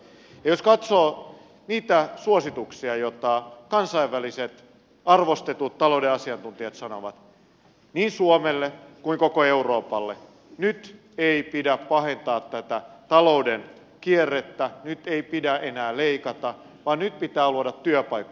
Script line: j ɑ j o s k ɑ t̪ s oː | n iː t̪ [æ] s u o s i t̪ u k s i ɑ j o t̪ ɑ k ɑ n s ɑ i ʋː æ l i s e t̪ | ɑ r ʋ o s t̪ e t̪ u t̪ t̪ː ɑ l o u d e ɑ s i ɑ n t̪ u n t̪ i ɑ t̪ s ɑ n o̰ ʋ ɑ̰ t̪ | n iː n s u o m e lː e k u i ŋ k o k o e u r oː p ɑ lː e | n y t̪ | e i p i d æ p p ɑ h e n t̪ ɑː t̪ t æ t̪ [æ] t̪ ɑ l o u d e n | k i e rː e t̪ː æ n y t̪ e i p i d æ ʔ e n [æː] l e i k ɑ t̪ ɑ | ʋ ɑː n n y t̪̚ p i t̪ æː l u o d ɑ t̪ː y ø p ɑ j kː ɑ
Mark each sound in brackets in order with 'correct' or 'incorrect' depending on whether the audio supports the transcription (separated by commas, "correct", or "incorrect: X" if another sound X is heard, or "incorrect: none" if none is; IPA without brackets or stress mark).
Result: correct, correct, correct